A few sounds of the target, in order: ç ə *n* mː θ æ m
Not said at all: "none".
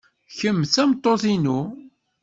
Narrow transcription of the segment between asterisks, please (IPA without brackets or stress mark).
none